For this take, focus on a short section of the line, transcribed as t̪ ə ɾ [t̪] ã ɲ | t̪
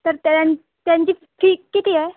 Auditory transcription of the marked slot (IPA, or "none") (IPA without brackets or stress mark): t̪